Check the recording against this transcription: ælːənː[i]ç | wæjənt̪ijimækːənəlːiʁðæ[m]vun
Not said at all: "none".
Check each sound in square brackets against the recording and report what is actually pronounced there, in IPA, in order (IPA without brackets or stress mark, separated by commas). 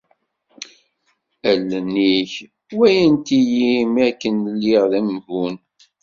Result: i, m